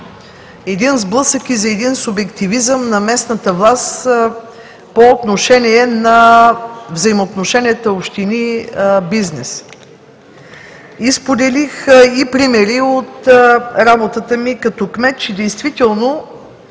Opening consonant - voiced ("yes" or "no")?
yes